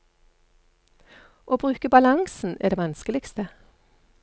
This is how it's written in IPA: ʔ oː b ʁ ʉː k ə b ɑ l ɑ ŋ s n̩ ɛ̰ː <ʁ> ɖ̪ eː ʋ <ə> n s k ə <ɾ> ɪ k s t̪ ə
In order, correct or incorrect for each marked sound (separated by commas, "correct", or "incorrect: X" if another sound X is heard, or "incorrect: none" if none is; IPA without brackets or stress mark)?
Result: incorrect: none, incorrect: ɑ, incorrect: l